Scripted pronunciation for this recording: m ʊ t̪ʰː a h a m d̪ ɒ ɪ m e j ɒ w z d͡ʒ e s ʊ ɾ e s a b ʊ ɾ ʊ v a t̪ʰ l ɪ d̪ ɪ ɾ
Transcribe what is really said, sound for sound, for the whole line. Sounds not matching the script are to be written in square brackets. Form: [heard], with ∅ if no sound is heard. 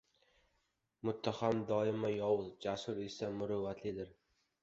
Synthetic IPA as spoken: m ʊ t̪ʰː a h a m d̪ ɒ ɪ m [a] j ɒ w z d͡ʒ [a] s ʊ ɾ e s a [m] ʊ ɾ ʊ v a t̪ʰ l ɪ d̪ ɪ ɾ